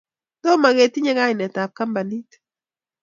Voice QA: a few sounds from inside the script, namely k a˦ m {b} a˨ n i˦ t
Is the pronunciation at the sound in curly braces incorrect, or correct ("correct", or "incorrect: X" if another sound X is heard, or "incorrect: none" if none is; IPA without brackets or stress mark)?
correct